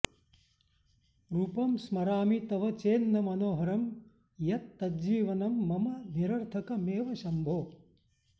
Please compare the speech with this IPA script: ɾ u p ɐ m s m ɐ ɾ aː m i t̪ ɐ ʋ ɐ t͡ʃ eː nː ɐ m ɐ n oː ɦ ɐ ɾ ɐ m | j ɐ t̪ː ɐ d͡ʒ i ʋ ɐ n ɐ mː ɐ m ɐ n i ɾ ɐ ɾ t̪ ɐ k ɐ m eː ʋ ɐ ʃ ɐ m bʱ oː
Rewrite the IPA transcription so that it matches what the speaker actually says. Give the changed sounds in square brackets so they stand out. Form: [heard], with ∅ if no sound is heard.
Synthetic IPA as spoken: ɾ u p ɐ m s m ɐ ɾ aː m i t̪ ɐ ʋ ɐ t͡ʃ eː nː ɐ m ɐ n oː ɦ ɐ ɾ ɐ m | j ɐ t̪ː ɐ d͡ʒ [iː] ʋ ɐ n ɐ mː ɐ m ɐ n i ɾ ɐ ɾ [t̪ʰ] ɐ k ɐ m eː ʋ ɐ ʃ ɐ m bʱ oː